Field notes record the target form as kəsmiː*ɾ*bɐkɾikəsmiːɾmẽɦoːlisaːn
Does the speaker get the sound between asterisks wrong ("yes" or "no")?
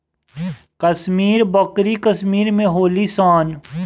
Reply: no